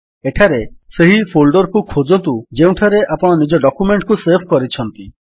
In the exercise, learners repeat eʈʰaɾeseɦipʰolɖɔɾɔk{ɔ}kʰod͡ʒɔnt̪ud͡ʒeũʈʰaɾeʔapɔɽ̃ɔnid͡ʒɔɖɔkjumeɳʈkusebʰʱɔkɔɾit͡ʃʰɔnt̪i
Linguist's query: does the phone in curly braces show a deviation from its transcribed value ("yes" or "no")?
yes